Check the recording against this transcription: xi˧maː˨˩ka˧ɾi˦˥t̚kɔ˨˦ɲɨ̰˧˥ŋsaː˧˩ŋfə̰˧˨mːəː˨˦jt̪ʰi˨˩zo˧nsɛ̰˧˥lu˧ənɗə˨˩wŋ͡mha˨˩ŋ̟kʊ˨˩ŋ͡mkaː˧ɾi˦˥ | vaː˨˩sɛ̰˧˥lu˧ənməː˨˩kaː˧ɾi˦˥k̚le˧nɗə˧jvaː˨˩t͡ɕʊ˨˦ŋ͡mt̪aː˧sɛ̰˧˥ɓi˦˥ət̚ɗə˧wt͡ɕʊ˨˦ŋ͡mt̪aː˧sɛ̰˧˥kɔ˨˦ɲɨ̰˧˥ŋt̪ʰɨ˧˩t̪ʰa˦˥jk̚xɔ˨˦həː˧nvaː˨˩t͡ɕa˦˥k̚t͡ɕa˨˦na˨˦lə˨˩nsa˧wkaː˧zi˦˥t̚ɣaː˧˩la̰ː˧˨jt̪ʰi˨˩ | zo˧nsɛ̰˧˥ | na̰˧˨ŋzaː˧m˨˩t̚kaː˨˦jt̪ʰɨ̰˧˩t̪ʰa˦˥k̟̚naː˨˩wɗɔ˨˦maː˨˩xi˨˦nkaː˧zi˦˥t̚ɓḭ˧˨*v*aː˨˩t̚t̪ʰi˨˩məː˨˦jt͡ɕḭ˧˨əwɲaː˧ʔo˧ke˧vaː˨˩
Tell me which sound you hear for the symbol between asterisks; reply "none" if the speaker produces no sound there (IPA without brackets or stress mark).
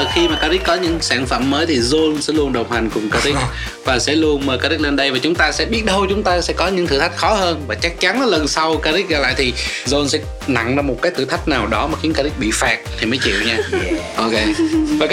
f